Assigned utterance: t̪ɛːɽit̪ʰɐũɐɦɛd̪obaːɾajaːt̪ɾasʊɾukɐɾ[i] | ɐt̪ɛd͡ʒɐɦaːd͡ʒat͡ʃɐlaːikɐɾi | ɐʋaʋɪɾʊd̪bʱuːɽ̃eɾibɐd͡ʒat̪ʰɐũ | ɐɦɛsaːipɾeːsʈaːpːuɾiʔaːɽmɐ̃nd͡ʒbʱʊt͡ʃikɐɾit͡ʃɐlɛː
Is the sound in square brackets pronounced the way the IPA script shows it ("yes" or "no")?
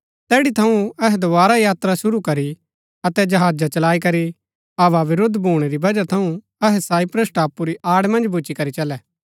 yes